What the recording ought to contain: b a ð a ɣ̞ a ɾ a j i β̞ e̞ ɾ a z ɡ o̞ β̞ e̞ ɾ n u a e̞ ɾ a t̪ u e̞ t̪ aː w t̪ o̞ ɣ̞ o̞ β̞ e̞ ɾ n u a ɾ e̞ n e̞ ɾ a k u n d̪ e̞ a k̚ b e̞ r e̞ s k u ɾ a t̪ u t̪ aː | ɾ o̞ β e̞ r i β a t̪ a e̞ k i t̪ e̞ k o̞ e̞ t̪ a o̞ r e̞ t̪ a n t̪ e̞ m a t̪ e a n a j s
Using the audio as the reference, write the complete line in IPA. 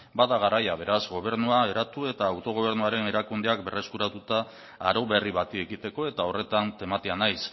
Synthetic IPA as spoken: b a ð a ɣ̞ a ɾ a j a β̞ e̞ ɾ a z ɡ o̞ β̞ e̞ ɾ n u a e̞ ɾ a t̪ u e̞ t̪ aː w t̪ o̞ ɣ̞ o̞ β̞ e̞ ɾ n u a ɾ e̞ n e̞ ɾ a k u n d̪ e̞ a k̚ b e̞ r e̞ s k u ɾ a t̪ u t̪ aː | ɾ o̞ β e̞ r i β a t̪ i e̞ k i t̪ e̞ k o̞ e̞ t̪ a o̞ r e̞ t̪ a n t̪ e̞ m a t̪ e a n a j s